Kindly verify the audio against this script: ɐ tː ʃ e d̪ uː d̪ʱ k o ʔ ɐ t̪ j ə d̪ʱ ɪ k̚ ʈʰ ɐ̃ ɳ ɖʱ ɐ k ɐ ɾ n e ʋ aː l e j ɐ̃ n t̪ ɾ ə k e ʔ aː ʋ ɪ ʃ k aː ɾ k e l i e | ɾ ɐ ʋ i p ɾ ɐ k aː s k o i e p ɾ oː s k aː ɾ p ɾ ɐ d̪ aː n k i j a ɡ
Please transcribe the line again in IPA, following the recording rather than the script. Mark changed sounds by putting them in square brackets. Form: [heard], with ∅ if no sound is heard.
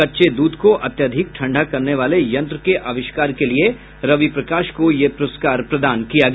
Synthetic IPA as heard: ɐ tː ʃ e d̪ uː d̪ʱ k o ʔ ɐ t̪ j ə d̪ʱ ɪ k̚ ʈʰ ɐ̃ ɳ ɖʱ [a] k ɐ ɾ n e ʋ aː l e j ɐ̃ n t̪ ɾ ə k e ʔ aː ʋ ɪ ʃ k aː ɾ k e l i e | ɾ ɐ ʋ i p ɾ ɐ k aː [ʃ] k o [j] e p ɾ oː s k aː ɾ p ɾ ɐ d̪ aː n k i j a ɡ